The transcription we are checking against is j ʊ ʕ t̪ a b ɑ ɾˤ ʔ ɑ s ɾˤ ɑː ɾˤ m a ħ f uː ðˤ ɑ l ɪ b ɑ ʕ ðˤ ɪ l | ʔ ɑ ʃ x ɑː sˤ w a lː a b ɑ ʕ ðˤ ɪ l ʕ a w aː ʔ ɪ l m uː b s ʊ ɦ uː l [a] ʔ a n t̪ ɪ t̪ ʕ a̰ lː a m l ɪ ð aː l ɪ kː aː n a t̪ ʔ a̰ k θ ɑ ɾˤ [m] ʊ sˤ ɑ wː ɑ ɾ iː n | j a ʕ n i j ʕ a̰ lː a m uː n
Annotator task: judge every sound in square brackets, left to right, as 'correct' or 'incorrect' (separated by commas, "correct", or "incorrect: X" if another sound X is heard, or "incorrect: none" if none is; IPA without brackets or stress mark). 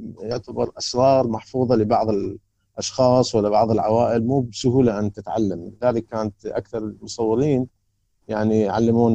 correct, correct